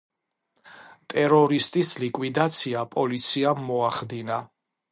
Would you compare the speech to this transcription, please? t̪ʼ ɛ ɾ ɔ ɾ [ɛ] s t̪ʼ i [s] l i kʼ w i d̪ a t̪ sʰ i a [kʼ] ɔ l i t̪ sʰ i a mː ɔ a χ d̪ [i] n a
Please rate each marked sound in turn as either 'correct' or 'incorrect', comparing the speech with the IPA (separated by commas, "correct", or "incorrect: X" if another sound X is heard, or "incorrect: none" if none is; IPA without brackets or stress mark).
incorrect: i, correct, incorrect: pʼ, correct